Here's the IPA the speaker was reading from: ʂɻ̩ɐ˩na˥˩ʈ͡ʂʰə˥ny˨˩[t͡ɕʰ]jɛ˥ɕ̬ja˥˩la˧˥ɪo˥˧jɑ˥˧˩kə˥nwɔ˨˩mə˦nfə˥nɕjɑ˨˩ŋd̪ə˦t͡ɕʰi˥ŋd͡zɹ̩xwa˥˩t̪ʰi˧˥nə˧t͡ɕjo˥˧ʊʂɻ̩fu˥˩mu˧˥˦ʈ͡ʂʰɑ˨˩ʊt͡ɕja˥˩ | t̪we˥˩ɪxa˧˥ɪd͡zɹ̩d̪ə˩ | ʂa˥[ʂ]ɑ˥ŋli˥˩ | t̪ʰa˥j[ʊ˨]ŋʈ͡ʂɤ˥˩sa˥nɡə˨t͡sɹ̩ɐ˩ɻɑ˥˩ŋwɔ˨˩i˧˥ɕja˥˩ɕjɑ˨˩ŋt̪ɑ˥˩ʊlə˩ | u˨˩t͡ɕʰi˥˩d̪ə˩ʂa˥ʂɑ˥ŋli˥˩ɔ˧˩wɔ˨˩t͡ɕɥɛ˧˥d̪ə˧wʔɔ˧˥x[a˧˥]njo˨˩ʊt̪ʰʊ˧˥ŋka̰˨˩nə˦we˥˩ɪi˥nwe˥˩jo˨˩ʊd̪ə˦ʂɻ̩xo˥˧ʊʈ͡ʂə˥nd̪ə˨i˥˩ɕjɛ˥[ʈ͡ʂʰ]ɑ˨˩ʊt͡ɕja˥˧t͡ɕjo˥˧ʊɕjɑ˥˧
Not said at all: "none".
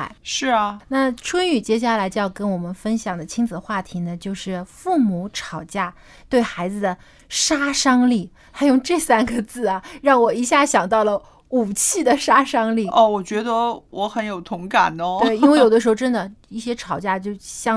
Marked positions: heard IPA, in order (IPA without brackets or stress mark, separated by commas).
t͡ɕ, ʂ, ʊ˥˧, ə˧˥, ʈ͡ʂʰ